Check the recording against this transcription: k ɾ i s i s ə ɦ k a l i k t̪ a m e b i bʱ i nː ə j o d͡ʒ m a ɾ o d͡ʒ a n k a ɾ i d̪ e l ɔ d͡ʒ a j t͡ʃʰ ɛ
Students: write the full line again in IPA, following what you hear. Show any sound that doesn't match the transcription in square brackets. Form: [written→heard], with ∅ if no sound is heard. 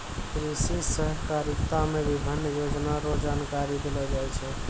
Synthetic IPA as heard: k ɾ i s i s ə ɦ k a [l→ɾ] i k t̪ a m e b i bʱ i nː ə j o d͡ʒ [m→n] a ɾ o d͡ʒ a n k a ɾ i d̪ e l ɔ d͡ʒ a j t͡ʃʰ ɛ